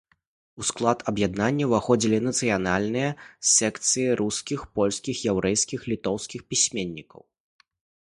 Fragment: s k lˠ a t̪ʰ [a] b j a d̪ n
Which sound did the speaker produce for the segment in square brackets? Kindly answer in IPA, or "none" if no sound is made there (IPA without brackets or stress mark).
ɐ